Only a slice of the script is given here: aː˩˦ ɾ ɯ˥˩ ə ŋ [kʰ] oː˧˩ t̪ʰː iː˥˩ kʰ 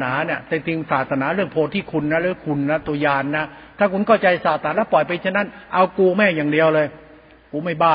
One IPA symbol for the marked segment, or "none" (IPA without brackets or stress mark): pʰ